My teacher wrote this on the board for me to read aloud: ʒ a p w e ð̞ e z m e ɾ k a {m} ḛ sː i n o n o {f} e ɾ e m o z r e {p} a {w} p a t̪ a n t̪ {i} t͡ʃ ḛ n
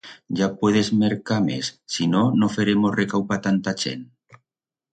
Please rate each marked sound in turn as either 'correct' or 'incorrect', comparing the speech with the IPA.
correct, correct, incorrect: k, correct, incorrect: a

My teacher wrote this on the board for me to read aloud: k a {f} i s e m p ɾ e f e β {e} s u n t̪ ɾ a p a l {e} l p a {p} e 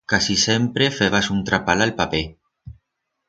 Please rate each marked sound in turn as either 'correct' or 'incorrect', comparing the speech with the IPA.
incorrect: s, incorrect: a, incorrect: a, correct

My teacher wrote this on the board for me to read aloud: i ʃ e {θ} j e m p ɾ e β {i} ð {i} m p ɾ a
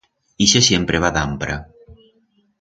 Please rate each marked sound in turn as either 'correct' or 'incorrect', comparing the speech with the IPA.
incorrect: s, incorrect: a, incorrect: a

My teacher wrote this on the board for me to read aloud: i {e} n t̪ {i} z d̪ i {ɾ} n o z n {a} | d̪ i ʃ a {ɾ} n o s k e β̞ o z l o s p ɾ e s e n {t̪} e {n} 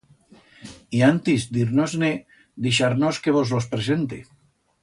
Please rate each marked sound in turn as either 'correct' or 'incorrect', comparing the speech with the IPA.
incorrect: a, correct, correct, incorrect: e, correct, correct, incorrect: none

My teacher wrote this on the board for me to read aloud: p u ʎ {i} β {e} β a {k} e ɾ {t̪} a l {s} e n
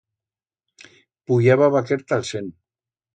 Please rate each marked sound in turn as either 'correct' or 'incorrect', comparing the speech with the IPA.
incorrect: a, incorrect: a, correct, correct, correct

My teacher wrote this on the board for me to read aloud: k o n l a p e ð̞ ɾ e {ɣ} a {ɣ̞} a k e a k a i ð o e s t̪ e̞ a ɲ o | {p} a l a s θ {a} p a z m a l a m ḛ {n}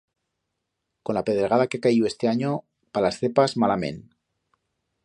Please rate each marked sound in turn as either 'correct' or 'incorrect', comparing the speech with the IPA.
correct, incorrect: ð̞, correct, incorrect: e, correct

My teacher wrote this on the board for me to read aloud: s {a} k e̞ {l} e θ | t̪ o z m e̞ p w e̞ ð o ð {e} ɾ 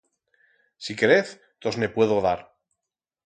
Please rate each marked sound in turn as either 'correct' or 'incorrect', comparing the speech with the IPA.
incorrect: i, incorrect: ɾ, incorrect: a

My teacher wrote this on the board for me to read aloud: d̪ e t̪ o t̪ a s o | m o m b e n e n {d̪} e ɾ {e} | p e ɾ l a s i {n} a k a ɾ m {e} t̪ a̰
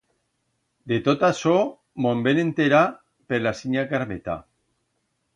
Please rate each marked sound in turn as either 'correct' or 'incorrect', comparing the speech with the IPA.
incorrect: t̪, incorrect: a, incorrect: ɲ, correct

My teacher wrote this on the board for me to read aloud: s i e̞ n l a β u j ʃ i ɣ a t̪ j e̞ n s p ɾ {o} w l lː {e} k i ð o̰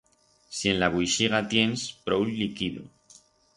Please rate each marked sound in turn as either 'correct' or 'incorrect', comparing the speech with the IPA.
correct, incorrect: i

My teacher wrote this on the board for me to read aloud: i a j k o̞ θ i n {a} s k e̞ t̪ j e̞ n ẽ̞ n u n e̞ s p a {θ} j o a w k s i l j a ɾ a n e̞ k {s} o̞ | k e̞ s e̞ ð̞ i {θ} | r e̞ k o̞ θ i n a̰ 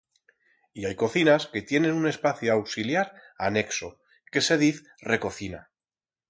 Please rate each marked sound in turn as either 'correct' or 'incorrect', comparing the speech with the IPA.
correct, correct, correct, correct

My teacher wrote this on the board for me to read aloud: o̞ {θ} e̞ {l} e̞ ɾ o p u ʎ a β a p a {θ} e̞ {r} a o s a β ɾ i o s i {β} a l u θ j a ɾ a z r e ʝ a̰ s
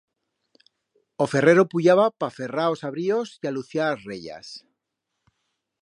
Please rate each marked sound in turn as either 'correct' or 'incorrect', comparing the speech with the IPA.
incorrect: f, incorrect: r, incorrect: f, correct, incorrect: none

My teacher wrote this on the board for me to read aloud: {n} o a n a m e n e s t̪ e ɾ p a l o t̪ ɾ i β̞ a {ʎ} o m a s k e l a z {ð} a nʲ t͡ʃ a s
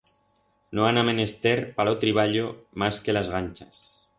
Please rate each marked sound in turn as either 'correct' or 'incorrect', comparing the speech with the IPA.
correct, correct, incorrect: ɣ

